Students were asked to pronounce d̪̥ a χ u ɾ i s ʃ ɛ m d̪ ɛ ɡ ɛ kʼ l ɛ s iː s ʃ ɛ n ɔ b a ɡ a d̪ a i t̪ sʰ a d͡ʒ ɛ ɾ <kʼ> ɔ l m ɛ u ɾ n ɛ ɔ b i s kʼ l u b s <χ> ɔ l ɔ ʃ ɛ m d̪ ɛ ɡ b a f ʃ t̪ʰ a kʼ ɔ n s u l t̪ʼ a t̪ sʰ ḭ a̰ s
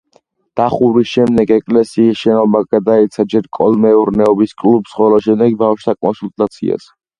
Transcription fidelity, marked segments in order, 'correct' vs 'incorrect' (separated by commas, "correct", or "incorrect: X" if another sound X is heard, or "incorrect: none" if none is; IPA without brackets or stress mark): correct, correct